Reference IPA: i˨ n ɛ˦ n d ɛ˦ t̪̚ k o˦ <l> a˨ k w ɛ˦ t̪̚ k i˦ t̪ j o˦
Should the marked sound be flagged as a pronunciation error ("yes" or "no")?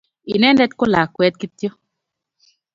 no